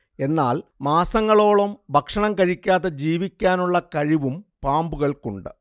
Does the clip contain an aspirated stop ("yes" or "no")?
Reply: no